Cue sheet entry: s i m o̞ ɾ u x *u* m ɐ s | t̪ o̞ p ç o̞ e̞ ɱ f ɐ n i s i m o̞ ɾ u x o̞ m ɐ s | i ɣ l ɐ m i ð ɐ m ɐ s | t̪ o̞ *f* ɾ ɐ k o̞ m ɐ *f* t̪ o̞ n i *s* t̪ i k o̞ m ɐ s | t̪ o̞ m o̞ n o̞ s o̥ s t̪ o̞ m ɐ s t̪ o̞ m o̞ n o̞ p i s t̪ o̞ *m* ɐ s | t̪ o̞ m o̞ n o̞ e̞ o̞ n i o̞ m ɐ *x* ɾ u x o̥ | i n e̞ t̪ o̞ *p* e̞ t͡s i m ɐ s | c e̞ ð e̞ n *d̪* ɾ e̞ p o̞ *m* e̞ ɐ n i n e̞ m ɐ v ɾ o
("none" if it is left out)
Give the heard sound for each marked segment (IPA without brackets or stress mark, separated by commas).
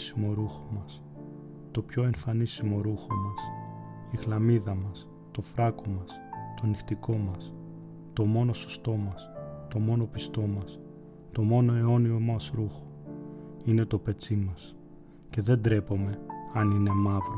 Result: o, f, s, x, m, s, p, d̪, m